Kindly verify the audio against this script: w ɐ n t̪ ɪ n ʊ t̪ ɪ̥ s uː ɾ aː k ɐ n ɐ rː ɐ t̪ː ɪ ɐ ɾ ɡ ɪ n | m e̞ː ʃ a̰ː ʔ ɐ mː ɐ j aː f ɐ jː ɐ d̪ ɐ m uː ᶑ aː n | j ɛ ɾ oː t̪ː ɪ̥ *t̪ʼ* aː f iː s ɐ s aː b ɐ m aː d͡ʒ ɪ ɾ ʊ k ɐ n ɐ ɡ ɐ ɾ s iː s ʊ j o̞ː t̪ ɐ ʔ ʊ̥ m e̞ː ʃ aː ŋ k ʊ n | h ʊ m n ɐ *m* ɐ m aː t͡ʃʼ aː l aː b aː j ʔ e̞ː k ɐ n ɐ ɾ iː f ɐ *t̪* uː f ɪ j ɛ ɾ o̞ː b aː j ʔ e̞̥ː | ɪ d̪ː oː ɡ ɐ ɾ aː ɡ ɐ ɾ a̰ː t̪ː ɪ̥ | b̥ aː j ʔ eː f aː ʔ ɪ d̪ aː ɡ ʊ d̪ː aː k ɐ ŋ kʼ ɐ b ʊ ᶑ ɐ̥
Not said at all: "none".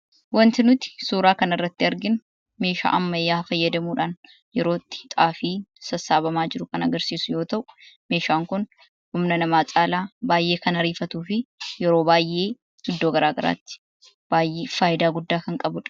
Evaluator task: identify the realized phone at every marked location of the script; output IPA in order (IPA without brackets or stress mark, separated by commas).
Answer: t̪ʼ, n, t̪